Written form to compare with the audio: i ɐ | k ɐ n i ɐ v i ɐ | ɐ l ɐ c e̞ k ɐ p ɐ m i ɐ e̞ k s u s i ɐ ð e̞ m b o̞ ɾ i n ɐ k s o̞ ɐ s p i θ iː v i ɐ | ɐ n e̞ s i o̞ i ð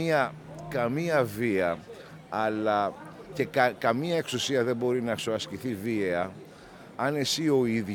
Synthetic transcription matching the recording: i ɐ | k ɐ m i ɐ v i ɐ | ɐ l ɐ c e̞ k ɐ k ɐ m i ɐ e̞ k s u s i ɐ ð e̞ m b o̞ ɾ i n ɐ k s o̞ ɐ s c i θ i v i ɐ | ɐ n e̞ s i o̞ i ð